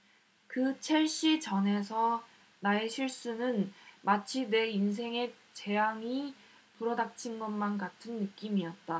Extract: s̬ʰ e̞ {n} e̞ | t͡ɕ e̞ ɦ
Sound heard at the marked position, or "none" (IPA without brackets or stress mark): ŋ